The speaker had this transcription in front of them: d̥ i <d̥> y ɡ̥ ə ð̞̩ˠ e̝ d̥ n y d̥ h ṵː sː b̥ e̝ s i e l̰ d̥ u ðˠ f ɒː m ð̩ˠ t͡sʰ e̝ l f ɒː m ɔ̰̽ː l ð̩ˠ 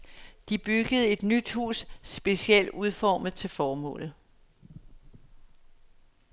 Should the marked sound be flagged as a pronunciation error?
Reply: yes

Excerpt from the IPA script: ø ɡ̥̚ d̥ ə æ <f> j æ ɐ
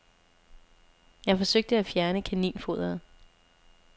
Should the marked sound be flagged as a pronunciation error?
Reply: no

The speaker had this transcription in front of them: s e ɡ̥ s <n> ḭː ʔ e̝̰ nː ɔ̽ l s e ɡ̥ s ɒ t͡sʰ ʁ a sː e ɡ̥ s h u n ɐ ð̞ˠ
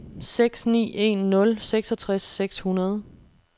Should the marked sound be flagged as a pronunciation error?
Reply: no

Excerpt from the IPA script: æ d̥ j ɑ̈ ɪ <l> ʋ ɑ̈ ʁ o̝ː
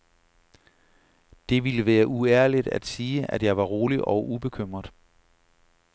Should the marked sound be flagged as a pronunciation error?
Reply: yes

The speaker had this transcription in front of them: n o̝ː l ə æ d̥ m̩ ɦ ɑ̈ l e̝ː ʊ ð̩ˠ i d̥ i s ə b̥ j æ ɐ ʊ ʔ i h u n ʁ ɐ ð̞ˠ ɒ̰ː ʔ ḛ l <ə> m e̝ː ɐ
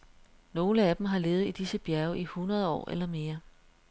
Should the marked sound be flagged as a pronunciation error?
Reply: yes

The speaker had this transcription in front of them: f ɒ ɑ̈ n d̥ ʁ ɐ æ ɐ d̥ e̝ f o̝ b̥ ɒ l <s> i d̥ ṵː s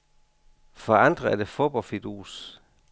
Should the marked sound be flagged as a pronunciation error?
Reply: yes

